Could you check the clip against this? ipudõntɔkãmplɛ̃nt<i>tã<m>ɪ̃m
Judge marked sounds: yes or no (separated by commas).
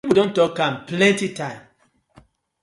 yes, no